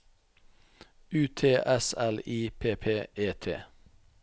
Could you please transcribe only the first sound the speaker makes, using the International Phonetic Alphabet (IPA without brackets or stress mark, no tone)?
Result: ʉː